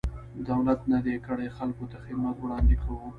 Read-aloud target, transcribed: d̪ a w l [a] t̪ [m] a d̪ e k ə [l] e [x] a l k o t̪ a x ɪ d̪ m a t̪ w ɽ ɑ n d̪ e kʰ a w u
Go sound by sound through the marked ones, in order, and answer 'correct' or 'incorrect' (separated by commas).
correct, incorrect, incorrect, correct